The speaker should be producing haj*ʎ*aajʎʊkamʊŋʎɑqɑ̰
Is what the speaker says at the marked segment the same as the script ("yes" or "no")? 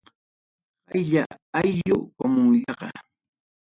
yes